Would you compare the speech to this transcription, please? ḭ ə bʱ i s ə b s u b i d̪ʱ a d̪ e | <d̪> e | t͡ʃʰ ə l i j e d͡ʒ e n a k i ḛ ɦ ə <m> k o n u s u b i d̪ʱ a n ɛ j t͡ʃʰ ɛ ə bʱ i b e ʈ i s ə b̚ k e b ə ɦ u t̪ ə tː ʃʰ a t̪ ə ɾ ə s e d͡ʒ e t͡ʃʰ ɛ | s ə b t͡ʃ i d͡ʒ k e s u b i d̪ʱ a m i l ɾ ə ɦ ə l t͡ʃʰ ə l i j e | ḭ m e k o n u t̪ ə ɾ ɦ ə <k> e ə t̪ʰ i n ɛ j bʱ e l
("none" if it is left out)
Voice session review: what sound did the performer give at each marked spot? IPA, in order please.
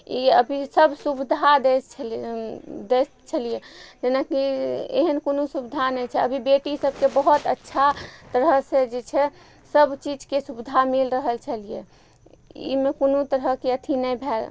d̪, n, k

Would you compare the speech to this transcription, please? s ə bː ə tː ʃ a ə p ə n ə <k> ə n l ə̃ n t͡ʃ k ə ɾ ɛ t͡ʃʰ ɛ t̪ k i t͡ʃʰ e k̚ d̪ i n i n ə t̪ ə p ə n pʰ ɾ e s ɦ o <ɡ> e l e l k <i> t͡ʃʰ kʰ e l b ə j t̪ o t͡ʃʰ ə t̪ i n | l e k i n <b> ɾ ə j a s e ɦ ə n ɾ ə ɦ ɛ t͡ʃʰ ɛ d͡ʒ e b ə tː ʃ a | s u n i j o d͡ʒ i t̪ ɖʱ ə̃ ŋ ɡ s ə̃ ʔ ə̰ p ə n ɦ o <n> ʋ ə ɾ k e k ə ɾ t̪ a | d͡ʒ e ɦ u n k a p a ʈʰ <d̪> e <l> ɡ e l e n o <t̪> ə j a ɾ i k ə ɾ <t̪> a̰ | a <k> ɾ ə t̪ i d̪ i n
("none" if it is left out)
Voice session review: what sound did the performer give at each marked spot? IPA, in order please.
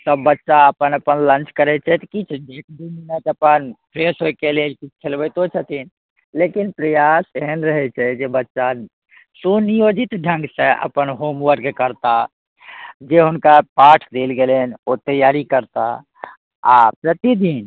p, k, i, p, m, d̪, l, t̪, t̪, p

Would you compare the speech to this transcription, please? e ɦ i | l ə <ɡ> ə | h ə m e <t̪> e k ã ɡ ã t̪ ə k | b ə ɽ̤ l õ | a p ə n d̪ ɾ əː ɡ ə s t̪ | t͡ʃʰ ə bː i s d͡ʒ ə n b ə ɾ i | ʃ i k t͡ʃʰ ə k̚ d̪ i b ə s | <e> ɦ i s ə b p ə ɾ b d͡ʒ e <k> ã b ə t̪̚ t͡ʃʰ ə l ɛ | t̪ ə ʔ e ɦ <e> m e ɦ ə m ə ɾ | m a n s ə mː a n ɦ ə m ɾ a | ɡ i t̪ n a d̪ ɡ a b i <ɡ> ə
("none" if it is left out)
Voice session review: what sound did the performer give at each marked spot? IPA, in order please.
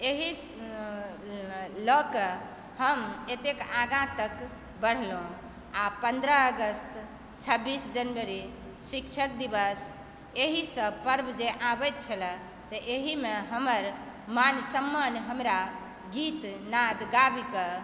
k, t̪, e, ʔ, i, k

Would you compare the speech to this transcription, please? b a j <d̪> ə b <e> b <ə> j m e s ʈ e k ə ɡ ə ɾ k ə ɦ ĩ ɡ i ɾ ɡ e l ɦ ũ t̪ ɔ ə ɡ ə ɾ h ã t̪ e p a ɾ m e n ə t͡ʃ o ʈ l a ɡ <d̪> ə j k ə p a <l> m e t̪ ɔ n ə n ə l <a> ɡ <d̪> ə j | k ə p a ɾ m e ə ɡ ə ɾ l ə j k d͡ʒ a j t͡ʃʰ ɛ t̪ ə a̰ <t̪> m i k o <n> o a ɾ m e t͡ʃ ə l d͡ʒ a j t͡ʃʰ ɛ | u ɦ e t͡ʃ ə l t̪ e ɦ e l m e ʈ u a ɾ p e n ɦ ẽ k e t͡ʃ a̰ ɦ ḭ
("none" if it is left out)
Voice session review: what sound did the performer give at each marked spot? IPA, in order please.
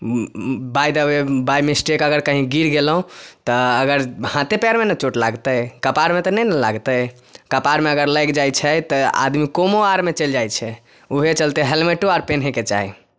d̪, e, a, t̪, ɾ, a, t̪, d̪, m

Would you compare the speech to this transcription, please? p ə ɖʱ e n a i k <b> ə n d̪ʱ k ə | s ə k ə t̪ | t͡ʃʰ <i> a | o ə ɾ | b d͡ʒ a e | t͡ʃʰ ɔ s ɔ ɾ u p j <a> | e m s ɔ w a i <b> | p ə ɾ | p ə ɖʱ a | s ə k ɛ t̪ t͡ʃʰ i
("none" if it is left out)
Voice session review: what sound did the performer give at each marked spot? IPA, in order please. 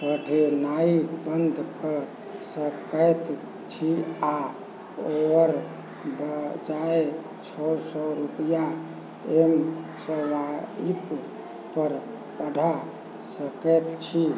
b, i, a, p

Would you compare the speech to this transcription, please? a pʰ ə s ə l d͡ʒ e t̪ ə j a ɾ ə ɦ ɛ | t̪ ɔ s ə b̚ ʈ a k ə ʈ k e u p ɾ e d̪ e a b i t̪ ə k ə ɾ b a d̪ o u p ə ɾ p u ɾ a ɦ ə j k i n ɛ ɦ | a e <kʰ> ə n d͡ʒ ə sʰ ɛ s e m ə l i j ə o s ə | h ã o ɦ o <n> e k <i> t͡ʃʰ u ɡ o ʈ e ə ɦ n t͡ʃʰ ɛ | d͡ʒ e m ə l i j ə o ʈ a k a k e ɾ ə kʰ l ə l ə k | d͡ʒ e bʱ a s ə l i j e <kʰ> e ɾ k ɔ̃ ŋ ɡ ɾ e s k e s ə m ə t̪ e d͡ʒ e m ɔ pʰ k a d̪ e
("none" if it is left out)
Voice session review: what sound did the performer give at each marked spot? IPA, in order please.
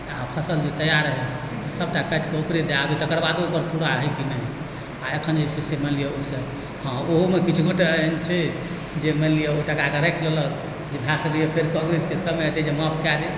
kʰ, m, i, pʰ

